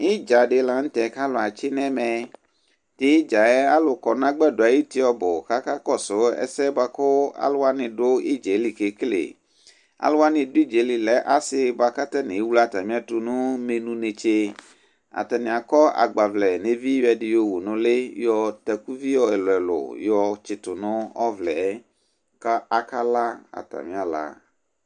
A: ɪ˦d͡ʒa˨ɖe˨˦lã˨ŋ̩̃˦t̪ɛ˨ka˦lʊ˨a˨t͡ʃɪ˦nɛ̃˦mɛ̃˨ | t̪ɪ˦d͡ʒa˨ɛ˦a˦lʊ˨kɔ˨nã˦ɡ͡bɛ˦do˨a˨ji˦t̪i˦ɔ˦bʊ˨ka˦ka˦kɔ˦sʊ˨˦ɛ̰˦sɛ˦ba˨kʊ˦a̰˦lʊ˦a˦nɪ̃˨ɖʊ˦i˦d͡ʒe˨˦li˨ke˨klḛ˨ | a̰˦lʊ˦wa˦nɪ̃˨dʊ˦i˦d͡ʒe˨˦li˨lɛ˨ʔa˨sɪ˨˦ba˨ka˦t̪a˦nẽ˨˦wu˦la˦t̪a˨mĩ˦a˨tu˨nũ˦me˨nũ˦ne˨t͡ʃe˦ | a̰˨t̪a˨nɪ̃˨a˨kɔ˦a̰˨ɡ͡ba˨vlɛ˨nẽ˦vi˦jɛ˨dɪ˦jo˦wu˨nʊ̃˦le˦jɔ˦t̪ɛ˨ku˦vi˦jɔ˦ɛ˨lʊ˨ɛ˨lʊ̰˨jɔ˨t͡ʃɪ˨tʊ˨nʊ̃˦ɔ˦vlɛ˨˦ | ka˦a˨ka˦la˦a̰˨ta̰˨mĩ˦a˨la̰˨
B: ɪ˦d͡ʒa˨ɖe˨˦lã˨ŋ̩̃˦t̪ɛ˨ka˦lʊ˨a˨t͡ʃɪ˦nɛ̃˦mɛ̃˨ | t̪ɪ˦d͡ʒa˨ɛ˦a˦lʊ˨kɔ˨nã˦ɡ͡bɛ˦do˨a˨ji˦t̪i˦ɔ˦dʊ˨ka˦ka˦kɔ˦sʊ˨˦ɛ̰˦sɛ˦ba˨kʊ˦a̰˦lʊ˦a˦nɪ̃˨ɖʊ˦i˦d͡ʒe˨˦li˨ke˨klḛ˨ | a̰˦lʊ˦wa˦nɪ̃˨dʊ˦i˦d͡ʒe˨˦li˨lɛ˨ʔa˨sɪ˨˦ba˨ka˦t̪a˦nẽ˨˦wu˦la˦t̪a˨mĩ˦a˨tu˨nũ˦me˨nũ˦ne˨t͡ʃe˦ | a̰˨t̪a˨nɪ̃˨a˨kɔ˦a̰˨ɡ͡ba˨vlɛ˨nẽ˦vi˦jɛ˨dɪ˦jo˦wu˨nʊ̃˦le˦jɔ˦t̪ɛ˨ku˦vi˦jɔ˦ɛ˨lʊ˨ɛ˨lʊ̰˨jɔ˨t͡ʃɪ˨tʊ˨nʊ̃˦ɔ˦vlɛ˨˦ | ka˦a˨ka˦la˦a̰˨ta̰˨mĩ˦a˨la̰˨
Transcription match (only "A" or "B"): A